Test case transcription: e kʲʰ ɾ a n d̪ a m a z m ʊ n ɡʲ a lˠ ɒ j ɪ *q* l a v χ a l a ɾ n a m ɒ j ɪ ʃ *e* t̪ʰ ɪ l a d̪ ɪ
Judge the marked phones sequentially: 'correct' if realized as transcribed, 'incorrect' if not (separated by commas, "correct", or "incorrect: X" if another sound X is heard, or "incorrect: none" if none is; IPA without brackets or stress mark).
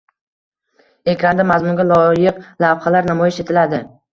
correct, correct